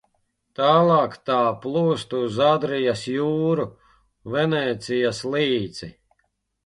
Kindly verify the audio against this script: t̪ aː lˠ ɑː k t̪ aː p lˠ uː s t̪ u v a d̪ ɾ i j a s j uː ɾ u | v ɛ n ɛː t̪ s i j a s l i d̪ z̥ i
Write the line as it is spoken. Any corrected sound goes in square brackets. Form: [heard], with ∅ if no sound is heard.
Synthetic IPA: t̪ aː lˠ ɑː k t̪ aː p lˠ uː s t̪ u [z] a d̪ ɾ i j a s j uː ɾ u | v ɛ n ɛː t̪ s i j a s l [iː] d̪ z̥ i